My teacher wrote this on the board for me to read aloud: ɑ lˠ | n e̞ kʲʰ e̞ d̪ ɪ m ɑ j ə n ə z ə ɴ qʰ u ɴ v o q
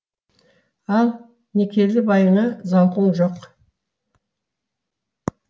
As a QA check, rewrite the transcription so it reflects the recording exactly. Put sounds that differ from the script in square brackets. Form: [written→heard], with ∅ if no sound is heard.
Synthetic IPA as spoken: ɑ lˠ | n e̞ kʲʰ e̞ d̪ ɪ [m→b] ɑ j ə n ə z [ə→ɑ] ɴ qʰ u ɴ [v→ʒ] o q

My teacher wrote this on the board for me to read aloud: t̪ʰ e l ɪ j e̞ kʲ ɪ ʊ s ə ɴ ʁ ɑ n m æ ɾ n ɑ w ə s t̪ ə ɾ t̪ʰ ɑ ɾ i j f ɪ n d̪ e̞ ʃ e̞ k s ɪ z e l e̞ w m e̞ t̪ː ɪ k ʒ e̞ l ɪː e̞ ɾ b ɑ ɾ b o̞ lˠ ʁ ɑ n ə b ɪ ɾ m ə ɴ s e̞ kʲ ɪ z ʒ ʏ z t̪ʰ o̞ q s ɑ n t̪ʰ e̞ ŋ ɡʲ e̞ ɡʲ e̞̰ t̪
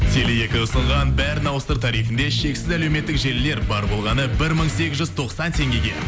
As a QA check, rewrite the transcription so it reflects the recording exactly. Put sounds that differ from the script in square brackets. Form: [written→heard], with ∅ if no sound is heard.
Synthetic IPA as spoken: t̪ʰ e l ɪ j e̞ kʲ ɪ ʊ s ə ɴ ʁ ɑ n [m→b] æ ɾ n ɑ w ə s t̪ ə ɾ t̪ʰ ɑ ɾ i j f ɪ n d̪ e̞ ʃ e̞ k s ɪ z [e→æ] l e̞ w m e̞ t̪ː ɪ k ʒ e̞ l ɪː e̞ ɾ b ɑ ɾ b o̞ lˠ ʁ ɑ n ə b ɪ ɾ m ə ɴ s e̞ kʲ ɪ z ʒ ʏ z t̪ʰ o̞ q s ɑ n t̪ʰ e̞ ŋ ɡʲ e̞ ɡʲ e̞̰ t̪

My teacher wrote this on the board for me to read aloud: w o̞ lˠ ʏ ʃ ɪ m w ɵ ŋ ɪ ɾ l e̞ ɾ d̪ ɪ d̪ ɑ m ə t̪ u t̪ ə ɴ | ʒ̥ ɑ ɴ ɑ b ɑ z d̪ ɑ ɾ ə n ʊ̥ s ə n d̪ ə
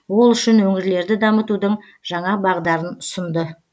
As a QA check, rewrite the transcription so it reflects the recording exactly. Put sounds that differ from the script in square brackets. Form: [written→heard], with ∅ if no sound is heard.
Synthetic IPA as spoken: w o̞ lˠ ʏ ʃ ɪ [m→n] w ɵ ŋ ɪ ɾ l e̞ ɾ d̪ ɪ d̪ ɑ m ə t̪ u [t̪→d̪] ə ɴ | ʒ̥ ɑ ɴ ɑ b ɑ [z→ʁ] d̪ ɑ ɾ ə n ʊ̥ s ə n d̪ ə

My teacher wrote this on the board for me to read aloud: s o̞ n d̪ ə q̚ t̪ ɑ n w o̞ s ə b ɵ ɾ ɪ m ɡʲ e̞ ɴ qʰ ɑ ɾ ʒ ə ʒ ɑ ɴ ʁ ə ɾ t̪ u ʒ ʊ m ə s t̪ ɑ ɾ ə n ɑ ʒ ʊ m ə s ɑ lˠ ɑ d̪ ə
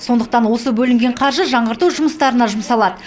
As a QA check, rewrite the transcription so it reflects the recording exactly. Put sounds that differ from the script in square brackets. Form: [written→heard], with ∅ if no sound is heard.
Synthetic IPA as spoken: s o̞ n d̪ ə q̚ t̪ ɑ n w o̞ s ə b ɵ [ɾ→l] ɪ [m→ŋ] ɡʲ e̞ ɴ qʰ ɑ ɾ ʒ ə ʒ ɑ ɴ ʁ ə ɾ t̪ u ʒ ʊ m ə s t̪ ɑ ɾ ə n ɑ ʒ ʊ m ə s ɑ lˠ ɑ d̪ ə

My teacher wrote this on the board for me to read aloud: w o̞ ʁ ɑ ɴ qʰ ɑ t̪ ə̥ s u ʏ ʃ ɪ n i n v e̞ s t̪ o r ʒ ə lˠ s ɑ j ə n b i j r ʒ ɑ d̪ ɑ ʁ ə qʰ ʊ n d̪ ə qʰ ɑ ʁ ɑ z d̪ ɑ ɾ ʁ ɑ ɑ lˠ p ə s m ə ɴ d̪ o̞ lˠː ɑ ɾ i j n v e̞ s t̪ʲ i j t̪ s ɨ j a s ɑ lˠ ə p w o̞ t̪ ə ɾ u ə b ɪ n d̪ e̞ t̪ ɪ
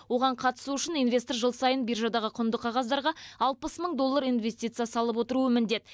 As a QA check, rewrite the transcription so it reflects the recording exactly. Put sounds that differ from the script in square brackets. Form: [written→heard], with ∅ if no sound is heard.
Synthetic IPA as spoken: w o̞ ʁ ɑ ɴ qʰ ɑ t̪ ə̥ s u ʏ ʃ ɪ n i n v e̞ s t̪ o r ʒ ə lˠ s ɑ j ə n b i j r ʒ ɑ d̪ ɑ ʁ ə qʰ ʊ n d̪ ə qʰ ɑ ʁ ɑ z d̪ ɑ ɾ ʁ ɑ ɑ lˠ p ə s m ə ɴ d̪ o̞ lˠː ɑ ɾ i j n v e̞ s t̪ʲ i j t̪ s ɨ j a s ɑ lˠ ə p w o̞ t̪ ə ɾ u ə [b→m] ɪ n d̪ e̞ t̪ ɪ

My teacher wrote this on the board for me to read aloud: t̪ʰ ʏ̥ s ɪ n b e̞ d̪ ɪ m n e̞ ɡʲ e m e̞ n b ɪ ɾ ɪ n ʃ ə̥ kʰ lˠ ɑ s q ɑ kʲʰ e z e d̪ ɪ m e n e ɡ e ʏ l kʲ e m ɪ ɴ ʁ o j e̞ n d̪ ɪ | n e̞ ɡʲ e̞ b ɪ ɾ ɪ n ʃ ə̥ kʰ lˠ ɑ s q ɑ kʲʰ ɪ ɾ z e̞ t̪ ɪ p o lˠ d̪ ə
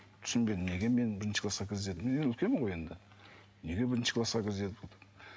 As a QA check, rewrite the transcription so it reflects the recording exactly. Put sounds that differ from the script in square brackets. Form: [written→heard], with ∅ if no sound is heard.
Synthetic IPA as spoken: t̪ʰ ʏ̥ s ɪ n b e̞ d̪ ɪ m n e̞ ɡʲ e m e̞ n b ɪ ɾ ɪ n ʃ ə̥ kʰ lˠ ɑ s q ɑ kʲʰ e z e d̪ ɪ m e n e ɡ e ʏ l kʲ e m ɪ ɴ ʁ o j e̞ n d̪ ɪ | n e̞ ɡʲ e̞ b ɪ ɾ ɪ n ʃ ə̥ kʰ lˠ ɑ s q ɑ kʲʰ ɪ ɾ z e̞ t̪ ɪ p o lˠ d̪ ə

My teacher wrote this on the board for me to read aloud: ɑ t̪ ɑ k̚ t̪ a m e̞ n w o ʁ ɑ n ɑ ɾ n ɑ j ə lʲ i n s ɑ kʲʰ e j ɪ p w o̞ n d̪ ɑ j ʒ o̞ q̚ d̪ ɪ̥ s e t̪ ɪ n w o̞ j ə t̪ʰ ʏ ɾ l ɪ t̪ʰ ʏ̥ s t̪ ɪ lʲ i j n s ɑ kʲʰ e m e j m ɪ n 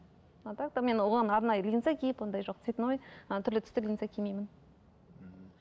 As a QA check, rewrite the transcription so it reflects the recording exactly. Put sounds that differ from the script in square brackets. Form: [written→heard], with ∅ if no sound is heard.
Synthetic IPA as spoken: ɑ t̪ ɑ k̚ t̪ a m e̞ n w o ʁ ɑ n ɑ ɾ n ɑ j ə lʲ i n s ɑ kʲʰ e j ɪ p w o̞ n d̪ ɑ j ʒ o̞ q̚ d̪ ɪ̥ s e t̪ ɪ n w o̞ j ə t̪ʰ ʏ ɾ l ɪ t̪ʰ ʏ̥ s t̪ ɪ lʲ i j n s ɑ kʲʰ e m e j m ɪ n

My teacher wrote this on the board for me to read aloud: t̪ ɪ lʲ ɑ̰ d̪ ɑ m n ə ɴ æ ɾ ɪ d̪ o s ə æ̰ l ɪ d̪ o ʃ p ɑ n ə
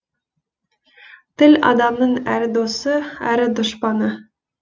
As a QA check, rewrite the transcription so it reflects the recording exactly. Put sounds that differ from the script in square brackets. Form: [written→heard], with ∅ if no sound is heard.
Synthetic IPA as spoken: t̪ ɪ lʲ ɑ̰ d̪ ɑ m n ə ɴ æ ɾ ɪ d̪ o s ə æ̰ [l→ɾ] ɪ d̪ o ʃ p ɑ n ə

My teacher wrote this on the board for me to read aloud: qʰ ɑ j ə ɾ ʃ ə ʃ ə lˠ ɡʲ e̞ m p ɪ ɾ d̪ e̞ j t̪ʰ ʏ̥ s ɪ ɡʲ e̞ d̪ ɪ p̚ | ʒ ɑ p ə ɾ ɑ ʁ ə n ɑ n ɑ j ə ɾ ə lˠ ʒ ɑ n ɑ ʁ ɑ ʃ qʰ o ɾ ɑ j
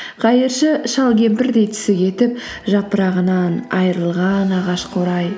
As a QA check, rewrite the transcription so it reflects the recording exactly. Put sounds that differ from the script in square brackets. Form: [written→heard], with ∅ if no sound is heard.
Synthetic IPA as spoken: qʰ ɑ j ə ɾ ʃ ə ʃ [ə→ɑ] lˠ ɡʲ e̞ m p ɪ ɾ d̪ e̞ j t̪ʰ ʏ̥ s ɪ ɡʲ e̞ [d̪→t̪] ɪ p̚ | ʒ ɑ p ə ɾ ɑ ʁ ə n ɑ n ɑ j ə ɾ ə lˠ [ʒ→ʁ] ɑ n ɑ ʁ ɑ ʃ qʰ o ɾ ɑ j

